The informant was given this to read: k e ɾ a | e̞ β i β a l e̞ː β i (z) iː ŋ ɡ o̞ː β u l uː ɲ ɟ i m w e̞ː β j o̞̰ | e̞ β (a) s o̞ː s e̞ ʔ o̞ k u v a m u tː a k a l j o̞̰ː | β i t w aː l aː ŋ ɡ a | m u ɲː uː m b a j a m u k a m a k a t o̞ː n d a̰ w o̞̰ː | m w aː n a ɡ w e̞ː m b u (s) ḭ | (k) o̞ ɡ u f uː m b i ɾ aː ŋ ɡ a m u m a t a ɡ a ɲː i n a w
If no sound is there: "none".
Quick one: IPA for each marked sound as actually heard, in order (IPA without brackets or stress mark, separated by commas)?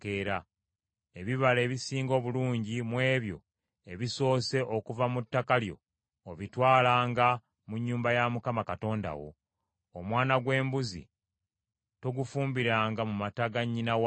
s, i, z, t